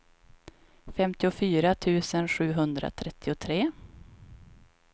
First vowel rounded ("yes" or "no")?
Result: no